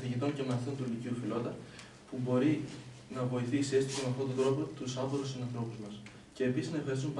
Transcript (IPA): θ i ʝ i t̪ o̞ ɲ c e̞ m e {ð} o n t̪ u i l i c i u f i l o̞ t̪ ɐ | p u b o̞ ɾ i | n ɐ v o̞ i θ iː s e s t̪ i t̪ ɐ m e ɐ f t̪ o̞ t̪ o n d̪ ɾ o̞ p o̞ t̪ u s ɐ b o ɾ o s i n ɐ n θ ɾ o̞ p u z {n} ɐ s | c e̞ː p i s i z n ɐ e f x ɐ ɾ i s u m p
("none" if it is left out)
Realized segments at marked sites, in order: θ, m

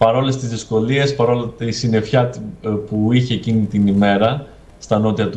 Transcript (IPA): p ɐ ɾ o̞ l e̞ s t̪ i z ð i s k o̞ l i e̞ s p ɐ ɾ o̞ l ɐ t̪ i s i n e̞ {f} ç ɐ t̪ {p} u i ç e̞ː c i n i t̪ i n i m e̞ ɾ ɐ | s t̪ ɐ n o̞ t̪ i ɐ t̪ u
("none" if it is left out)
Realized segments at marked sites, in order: f, p

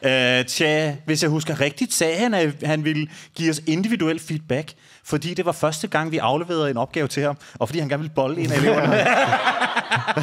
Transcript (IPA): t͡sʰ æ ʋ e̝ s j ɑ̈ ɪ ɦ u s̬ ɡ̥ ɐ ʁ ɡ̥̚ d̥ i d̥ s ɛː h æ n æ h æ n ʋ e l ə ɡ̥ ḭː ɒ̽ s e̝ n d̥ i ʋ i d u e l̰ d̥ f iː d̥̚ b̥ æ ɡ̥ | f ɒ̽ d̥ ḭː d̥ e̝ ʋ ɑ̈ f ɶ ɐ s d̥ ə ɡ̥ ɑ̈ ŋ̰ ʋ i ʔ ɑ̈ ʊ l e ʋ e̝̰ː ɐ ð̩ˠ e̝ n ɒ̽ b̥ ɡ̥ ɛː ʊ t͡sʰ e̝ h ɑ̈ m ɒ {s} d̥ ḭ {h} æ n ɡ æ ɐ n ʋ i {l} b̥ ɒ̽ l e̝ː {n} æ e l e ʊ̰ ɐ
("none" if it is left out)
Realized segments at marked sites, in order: f, h, l, n

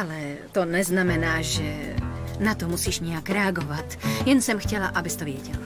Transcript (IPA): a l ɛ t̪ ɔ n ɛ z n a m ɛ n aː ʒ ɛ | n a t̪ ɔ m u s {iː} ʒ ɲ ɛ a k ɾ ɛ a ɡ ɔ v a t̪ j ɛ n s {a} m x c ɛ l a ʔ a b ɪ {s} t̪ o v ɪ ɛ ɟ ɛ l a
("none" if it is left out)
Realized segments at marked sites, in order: iː, ɛ, s

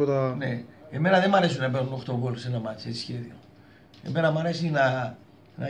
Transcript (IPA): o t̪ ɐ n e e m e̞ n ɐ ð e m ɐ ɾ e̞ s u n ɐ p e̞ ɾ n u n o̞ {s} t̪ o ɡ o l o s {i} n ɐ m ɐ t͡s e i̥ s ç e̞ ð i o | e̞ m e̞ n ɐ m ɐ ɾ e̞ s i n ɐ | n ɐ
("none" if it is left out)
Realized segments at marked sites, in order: x, e

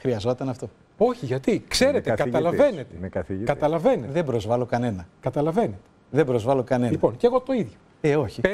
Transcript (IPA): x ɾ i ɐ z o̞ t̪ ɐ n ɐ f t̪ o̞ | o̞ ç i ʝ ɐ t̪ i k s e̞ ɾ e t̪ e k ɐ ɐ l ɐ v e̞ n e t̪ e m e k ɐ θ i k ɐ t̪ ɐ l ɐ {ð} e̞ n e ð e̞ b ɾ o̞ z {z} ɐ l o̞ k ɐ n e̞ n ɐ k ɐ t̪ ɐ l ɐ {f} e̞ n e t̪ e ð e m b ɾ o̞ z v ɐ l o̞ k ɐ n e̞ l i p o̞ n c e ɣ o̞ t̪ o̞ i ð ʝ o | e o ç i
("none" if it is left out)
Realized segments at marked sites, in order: v, v, v

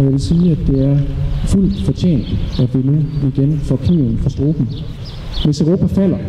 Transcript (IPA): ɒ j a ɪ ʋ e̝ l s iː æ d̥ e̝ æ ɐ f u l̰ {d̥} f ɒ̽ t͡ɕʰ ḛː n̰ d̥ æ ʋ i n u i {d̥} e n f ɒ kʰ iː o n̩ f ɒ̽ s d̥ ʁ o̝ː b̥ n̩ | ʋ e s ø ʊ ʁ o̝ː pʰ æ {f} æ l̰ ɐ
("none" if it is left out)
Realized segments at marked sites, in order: d̥, ɡ̥, f

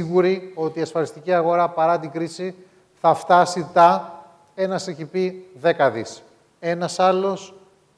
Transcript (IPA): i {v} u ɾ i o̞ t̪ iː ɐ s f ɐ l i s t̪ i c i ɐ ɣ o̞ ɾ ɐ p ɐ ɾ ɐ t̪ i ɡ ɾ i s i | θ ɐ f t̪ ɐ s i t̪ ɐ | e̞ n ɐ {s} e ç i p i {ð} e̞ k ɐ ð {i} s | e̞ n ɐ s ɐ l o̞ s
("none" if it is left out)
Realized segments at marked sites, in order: ɣ, s, ð, i

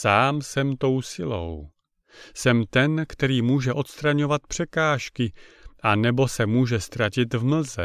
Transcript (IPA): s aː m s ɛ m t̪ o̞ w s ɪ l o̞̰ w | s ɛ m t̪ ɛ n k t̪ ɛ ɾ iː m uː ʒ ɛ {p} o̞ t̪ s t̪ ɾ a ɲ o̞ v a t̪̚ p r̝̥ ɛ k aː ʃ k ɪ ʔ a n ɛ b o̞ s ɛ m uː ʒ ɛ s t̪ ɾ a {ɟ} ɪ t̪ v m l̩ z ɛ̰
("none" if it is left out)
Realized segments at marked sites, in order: ʔ, c

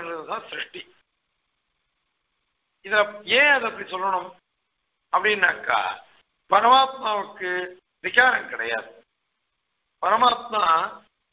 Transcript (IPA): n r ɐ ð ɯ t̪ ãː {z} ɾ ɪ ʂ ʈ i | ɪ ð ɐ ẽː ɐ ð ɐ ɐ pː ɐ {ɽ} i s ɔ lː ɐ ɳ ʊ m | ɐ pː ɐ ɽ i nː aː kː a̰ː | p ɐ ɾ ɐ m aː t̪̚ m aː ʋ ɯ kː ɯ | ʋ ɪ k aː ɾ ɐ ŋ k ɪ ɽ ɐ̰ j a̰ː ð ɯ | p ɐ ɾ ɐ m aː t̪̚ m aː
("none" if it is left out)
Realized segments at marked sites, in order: s, ɽ

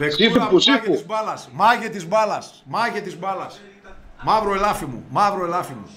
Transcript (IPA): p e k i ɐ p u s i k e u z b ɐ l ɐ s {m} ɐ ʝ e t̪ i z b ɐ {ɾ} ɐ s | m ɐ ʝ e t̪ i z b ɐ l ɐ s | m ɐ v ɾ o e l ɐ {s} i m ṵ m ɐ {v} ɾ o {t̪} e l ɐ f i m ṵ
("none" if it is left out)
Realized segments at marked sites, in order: m, l, f, v, none

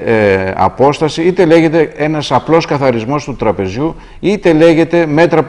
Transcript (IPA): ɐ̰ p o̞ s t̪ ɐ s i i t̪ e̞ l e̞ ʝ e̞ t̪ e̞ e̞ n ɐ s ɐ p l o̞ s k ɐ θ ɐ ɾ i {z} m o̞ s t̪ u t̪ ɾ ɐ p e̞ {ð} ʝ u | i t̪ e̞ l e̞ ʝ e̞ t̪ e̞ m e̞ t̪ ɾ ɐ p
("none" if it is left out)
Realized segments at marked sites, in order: z, z

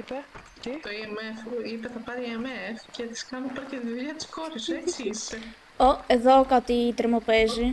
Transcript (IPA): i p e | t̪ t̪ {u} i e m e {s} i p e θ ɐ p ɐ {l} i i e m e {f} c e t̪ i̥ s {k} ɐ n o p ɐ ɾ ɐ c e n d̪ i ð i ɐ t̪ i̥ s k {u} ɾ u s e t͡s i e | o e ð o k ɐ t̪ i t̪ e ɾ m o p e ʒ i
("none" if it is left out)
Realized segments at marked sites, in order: o, f, ɾ, f, k, o

